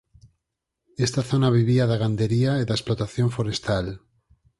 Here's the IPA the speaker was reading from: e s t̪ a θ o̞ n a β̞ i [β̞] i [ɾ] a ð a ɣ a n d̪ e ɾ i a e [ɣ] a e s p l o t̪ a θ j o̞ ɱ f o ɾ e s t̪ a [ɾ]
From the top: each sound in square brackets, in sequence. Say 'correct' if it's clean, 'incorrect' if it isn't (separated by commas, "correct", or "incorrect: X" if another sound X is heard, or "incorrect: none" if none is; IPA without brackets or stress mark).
correct, incorrect: none, incorrect: ð, incorrect: l